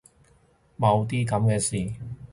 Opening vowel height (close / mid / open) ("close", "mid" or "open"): open